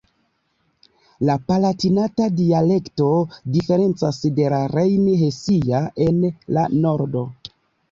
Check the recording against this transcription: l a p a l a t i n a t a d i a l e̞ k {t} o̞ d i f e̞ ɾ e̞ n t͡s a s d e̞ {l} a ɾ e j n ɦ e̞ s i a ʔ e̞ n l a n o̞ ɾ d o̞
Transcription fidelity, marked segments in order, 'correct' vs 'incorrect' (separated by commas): correct, correct